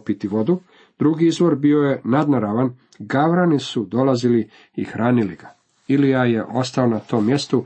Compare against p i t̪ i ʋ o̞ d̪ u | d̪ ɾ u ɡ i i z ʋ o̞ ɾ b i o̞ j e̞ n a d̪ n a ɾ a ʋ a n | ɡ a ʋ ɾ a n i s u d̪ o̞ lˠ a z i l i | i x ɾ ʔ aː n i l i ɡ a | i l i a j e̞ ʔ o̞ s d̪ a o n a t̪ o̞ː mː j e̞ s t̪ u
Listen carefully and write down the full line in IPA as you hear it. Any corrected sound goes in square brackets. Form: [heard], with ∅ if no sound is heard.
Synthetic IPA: p i t̪ i ʋ o̞ d̪ u | d̪ ɾ u ɡ i i z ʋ o̞ ɾ b i o̞ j e̞ n a d̪ n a ɾ a ʋ a n | ɡ a ʋ ɾ a n i s u d̪ o̞ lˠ a z i l i | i x ɾ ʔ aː n i l i ɡ a | i l i a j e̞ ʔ o̞ s [t̪] a o n a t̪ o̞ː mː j e̞ s t̪ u